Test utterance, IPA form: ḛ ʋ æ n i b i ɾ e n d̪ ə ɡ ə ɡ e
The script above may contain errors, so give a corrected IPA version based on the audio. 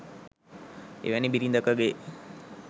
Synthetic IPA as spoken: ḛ ʋ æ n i b i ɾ i n d̪ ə k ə ɡ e